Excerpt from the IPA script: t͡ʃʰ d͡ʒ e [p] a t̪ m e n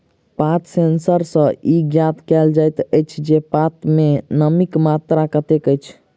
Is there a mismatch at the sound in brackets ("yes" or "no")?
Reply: no